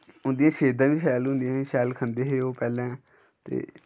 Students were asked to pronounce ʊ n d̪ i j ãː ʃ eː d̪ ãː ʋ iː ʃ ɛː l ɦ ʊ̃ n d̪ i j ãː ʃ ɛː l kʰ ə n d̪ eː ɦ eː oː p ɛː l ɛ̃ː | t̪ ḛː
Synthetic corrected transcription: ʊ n d̪ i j ãː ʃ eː d̪ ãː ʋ iː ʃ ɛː l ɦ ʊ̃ n d̪ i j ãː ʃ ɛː l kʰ ə n d̪ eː ɦ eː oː p ɛː l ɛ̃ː | t̪ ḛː